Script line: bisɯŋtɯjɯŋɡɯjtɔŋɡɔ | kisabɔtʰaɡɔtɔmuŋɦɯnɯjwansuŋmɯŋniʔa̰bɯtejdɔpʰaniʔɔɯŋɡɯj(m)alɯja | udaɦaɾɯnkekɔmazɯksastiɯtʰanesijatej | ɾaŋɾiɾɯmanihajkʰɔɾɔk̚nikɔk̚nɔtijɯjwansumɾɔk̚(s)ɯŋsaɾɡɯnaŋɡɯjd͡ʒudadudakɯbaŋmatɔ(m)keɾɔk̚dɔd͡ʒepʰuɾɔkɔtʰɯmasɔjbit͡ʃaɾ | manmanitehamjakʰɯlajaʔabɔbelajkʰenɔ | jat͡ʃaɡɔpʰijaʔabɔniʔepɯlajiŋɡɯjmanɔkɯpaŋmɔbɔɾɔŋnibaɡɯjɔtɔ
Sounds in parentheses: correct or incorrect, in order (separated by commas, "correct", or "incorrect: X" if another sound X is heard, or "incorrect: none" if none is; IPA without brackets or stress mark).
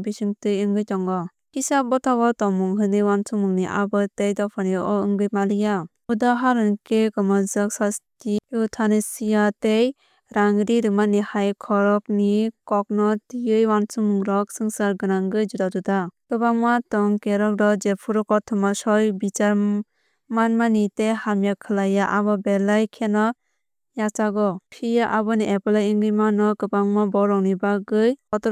correct, correct, incorrect: ŋ